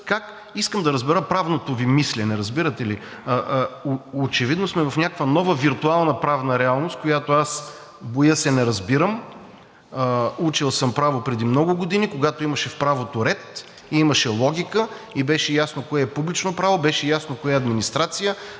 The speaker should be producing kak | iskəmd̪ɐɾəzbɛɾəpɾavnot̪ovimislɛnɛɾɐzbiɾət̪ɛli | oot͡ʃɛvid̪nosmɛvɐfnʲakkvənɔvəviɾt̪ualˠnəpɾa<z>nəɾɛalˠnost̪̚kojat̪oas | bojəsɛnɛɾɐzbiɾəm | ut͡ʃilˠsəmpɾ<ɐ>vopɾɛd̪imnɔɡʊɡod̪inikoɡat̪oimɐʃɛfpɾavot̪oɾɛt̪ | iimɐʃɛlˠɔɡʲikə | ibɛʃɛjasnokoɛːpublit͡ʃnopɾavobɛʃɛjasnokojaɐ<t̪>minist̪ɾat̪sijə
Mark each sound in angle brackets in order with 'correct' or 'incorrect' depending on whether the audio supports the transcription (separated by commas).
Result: incorrect, incorrect, incorrect